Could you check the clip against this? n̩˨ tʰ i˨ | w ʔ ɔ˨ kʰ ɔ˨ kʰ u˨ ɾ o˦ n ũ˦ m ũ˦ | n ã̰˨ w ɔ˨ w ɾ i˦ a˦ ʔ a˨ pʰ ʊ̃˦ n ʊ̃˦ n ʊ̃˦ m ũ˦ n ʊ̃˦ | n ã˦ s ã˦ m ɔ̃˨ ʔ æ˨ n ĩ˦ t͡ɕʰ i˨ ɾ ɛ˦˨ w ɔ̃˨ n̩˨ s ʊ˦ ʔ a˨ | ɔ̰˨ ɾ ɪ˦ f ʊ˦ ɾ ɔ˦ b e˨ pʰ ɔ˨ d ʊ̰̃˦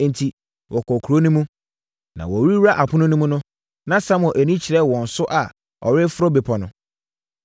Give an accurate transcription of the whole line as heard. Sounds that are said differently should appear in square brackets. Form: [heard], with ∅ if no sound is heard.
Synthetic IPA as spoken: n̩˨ tʰ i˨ | w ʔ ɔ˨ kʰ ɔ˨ kʰ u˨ ɾ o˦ n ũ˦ m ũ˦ | n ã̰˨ w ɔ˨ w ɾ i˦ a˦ ʔ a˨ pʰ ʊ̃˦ n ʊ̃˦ n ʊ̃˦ m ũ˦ n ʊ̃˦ | n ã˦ s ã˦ m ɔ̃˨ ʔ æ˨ n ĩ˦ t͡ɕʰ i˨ ɾ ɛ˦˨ w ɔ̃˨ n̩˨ s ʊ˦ ʔ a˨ | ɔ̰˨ ɾ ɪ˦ f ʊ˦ ɾ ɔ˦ b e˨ pʰ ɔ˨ [n] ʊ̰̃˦

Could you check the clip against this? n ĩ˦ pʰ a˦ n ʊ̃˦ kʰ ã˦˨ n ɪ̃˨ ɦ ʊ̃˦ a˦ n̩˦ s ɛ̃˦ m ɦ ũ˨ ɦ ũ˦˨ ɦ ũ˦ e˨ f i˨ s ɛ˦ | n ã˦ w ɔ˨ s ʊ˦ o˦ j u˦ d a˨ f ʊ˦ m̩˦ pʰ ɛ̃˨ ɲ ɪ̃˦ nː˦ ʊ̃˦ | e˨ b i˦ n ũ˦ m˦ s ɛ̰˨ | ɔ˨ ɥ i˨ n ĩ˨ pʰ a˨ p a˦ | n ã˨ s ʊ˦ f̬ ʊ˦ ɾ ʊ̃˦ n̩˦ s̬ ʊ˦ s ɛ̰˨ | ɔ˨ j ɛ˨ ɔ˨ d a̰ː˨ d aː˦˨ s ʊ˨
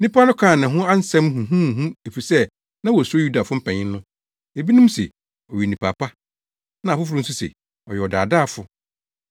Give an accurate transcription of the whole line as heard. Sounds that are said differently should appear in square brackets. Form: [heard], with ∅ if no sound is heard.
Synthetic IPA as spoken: n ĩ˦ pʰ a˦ n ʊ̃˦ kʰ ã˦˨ n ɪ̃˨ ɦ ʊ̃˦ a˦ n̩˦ s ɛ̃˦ m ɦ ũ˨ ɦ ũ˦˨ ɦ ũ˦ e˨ f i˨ s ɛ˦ | n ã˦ w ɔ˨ s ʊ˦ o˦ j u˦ d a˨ f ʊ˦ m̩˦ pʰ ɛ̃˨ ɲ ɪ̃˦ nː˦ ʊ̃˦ | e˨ b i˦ n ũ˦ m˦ s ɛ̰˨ | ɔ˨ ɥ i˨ n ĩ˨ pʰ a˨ p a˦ | n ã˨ [f] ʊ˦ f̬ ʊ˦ ɾ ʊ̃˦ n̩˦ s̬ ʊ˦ s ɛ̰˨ | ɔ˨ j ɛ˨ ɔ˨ d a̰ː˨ d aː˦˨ [f] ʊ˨

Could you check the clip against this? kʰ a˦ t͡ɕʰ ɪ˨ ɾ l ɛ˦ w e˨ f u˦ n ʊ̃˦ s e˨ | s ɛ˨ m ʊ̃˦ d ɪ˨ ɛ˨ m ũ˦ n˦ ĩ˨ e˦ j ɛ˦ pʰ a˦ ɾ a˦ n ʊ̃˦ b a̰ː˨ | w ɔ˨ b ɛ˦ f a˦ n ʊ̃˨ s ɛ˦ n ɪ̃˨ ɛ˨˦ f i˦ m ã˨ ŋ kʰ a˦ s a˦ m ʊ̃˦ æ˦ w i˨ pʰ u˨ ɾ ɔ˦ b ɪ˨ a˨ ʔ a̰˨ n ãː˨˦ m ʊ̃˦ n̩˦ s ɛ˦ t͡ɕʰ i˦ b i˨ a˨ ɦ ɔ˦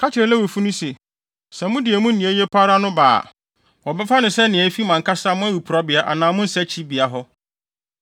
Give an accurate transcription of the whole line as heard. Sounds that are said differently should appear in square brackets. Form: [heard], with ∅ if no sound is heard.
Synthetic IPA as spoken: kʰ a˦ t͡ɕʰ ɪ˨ ɾ l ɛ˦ w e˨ f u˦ n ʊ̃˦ s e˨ | s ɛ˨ m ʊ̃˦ d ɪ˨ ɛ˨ m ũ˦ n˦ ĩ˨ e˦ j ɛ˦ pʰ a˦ ɾ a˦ n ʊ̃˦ b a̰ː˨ | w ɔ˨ b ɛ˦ f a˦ n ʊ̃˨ s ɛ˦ n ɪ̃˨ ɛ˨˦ f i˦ m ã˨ ŋ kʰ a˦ s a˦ m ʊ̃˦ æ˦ w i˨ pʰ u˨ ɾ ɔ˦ b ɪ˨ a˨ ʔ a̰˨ n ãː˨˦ m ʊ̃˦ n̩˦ s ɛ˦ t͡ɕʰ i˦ b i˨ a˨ ɦ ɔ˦

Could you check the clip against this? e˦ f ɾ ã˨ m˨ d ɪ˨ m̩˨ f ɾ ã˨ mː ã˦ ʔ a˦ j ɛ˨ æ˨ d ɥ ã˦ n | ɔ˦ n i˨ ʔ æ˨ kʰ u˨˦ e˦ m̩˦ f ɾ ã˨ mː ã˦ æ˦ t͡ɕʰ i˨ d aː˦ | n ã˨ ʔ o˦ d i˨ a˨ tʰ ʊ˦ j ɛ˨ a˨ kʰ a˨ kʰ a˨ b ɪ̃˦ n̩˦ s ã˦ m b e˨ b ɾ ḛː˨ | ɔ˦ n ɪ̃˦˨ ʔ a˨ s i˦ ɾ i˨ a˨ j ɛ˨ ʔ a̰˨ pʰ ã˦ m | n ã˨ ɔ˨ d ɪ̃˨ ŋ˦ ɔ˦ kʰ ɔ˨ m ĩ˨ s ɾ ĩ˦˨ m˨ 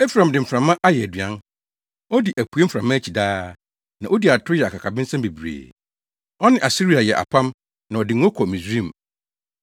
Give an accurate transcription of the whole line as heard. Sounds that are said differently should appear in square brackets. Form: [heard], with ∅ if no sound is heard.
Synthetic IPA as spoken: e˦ f ɾ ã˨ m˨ d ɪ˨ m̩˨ f ɾ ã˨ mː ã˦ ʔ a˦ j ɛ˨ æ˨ d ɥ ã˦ n | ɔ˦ [d] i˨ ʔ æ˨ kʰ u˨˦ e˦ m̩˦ f ɾ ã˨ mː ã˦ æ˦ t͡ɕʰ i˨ d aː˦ | n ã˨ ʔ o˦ d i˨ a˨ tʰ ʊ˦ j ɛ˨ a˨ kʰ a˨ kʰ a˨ b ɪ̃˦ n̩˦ s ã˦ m b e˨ b ɾ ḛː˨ | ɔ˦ n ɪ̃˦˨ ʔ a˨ s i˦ ɾ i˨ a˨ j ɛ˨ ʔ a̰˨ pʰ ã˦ m | n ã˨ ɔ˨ d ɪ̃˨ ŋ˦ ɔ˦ kʰ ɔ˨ m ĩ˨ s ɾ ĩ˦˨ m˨

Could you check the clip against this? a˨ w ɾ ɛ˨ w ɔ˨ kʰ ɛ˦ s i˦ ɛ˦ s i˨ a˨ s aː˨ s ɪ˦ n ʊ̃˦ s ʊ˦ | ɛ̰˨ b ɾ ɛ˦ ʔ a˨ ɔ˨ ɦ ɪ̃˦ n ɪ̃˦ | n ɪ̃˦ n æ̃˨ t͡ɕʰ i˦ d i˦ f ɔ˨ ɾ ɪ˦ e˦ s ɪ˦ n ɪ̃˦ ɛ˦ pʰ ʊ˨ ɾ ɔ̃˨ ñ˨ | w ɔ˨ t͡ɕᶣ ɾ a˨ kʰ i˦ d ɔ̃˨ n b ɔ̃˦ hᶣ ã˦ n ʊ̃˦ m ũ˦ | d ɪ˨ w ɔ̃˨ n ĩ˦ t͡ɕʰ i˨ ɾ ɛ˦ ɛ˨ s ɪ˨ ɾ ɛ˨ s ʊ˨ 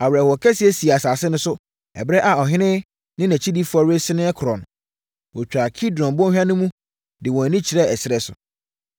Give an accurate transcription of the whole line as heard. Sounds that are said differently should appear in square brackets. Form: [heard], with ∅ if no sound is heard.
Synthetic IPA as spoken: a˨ w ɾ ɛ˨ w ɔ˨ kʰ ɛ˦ s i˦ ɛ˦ s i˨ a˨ s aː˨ s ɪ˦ n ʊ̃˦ s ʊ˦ | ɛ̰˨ b ɾ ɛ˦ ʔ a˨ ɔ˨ ɦ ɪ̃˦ n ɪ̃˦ | n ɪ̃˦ n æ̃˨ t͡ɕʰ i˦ d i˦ f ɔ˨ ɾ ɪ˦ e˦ s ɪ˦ n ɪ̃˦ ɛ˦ [kʰ] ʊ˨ ɾ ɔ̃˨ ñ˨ | w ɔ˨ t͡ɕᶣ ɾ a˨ kʰ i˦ d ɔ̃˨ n b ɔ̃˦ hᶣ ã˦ n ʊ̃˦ m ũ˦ | d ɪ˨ w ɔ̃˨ n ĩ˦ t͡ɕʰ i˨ ɾ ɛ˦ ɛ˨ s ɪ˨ ɾ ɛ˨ s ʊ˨

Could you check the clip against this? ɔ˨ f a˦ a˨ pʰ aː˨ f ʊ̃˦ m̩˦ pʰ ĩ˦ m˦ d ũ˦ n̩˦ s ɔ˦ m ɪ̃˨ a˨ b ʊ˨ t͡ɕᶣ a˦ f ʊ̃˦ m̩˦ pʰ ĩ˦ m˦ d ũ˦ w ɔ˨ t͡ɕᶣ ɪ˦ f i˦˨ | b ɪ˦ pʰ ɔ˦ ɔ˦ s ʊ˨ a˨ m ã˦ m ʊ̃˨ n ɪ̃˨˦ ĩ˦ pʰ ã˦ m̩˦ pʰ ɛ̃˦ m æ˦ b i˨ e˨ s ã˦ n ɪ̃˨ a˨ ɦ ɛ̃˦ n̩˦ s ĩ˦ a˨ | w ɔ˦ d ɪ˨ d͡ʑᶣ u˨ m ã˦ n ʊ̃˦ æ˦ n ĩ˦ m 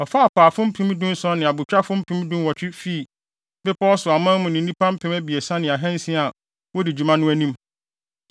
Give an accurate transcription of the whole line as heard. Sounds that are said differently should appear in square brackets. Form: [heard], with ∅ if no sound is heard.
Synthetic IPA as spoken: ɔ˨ f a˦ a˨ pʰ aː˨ f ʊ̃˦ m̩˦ pʰ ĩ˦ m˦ d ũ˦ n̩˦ s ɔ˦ [n] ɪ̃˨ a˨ b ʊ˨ t͡ɕᶣ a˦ f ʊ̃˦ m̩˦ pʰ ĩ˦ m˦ d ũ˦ w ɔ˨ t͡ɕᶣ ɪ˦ f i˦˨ | b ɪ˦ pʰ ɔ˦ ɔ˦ s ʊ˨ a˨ m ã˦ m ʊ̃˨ n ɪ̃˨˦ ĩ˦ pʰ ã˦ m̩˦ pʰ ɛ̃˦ m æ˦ b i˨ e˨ s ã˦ n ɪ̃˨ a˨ ɦ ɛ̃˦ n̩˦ s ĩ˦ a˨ | w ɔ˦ d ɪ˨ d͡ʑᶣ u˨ m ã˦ n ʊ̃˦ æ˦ n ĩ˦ m

